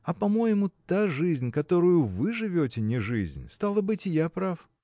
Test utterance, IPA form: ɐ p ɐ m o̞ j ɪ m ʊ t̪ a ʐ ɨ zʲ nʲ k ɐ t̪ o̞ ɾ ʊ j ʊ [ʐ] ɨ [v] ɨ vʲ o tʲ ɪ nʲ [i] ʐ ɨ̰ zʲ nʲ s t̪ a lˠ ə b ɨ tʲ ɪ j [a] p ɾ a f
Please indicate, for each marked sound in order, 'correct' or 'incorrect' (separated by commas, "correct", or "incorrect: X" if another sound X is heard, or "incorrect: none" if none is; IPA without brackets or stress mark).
incorrect: v, incorrect: ʐ, incorrect: ɪ, correct